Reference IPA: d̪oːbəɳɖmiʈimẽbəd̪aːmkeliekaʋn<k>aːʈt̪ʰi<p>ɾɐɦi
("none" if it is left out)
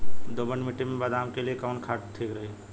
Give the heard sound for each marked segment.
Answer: kʰ, k

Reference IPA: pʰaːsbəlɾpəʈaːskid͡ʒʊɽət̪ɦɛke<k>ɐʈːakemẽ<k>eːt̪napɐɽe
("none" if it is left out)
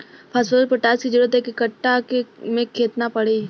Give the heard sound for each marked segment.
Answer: k, kʰ

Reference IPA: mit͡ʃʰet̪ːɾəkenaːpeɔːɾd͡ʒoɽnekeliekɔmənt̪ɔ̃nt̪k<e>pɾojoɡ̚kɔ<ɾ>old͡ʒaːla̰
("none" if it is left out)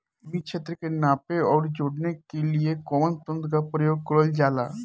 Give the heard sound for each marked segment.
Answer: a, ɾ

